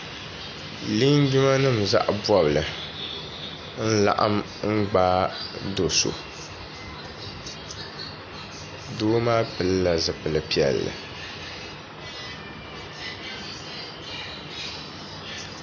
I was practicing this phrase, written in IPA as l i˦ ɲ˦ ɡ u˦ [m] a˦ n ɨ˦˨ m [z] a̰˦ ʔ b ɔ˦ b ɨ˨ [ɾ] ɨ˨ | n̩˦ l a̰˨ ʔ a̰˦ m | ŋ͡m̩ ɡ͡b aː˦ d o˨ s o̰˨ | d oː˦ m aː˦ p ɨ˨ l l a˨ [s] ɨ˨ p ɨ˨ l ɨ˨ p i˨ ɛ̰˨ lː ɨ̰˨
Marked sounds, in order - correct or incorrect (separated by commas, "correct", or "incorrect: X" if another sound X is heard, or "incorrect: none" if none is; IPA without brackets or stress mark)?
correct, correct, incorrect: l, incorrect: z